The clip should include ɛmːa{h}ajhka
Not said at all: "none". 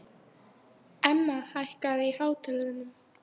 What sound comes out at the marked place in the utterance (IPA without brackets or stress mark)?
h